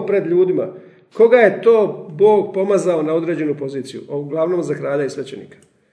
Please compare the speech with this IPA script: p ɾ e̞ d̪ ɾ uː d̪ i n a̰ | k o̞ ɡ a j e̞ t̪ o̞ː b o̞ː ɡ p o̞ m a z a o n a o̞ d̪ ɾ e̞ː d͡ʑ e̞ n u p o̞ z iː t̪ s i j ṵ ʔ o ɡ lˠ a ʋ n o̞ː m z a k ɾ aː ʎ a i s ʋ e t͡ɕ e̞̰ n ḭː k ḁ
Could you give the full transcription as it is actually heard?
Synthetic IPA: p ɾ e̞ d̪ ʎ uː d̪ i m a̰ | k o̞ ɡ a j e̞ t̪ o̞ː b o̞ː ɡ p o̞ m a z a o n a o̞ d̪ ɾ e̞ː d͡ʑ e̞ n u p o̞ z iː t̪ s i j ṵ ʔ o ɡ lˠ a ʋ n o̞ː m z a k ɾ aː ʎ a i s ʋ e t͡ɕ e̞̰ n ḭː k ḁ